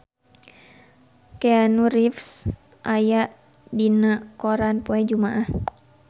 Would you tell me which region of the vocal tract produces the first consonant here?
velum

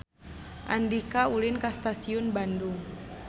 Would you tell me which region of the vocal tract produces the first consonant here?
throat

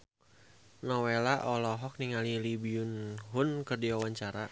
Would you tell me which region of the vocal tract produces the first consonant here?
tongue tip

